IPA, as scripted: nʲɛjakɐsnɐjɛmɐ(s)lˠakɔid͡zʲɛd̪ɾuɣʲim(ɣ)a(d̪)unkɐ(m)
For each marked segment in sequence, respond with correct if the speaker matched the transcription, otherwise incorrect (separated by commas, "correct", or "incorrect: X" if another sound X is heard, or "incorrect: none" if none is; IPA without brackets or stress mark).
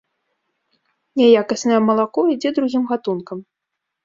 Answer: incorrect: none, correct, incorrect: t̪, correct